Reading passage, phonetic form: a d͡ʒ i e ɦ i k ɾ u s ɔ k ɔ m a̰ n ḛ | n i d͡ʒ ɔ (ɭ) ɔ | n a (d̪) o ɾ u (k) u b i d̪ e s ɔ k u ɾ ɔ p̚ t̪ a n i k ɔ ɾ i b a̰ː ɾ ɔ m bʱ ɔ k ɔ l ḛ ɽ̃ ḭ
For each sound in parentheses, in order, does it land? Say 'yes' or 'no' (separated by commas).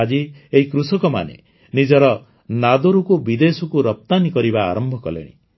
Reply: no, yes, yes